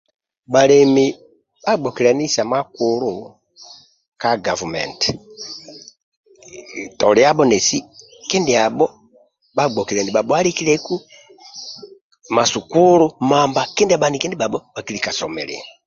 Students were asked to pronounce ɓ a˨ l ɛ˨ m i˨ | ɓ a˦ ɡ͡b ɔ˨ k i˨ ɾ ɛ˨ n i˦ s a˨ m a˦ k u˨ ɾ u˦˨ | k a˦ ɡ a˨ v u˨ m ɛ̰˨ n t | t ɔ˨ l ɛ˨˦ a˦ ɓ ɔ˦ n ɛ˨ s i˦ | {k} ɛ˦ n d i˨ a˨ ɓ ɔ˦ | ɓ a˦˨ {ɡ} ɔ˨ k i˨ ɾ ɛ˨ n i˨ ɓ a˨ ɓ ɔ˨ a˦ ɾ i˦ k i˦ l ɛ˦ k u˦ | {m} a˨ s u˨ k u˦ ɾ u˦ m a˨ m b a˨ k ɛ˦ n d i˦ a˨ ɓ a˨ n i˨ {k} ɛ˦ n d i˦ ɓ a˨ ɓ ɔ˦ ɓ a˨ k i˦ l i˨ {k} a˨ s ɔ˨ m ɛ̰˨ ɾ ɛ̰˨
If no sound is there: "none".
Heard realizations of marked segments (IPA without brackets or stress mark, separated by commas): k, ɡ͡b, m, k, k